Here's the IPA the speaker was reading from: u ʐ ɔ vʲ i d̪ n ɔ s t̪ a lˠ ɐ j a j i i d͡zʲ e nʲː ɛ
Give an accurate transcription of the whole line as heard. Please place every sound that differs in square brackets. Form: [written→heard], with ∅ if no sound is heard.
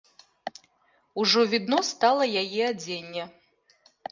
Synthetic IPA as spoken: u ʐ ɔ vʲ i d̪ n ɔ s t̪ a lˠ ɐ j a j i [i→a] d͡zʲ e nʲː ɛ